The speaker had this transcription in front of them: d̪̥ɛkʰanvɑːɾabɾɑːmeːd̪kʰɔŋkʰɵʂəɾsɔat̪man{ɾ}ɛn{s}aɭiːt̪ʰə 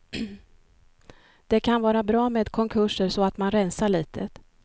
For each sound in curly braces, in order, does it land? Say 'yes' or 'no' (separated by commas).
yes, yes